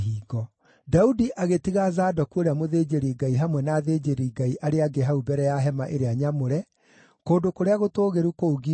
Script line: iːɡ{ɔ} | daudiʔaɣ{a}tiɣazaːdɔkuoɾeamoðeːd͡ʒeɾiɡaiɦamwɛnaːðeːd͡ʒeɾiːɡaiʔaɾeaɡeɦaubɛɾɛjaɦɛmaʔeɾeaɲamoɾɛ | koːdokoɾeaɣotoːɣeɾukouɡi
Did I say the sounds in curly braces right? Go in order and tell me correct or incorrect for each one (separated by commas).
correct, incorrect